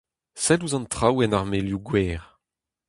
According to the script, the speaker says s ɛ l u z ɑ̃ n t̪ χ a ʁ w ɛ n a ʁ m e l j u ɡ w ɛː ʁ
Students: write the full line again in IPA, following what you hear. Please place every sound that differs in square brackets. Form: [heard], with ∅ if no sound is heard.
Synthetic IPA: s ɛ l u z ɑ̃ n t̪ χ a [∅] w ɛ n a ʁ m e l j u ɡ w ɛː ʁ